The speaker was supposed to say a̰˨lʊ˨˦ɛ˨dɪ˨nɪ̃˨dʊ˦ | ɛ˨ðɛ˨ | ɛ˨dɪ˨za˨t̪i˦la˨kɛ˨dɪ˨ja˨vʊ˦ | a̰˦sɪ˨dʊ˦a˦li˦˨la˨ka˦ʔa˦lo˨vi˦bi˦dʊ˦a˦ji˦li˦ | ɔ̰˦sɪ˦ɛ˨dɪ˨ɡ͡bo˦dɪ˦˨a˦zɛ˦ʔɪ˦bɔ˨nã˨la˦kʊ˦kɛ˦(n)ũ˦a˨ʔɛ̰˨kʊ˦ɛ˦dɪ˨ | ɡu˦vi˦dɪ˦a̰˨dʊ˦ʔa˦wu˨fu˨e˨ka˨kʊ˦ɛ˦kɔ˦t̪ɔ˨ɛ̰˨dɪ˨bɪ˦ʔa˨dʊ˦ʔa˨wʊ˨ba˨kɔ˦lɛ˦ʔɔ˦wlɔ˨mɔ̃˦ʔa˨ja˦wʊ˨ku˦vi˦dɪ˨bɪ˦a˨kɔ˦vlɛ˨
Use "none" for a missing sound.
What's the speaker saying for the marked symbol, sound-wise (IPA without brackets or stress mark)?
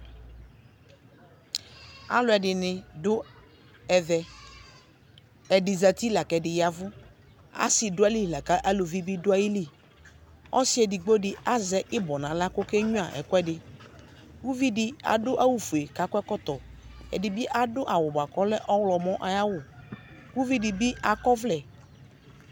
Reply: ɲ